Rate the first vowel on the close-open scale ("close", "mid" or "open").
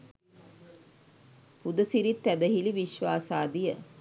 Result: close